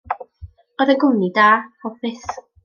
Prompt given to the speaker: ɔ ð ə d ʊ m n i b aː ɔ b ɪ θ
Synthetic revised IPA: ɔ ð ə ɡ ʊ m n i d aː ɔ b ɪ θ